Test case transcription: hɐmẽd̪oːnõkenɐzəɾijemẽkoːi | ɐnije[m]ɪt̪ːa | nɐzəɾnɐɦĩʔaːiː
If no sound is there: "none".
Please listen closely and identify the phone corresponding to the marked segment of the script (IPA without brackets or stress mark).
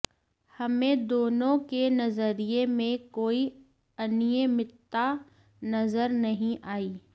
m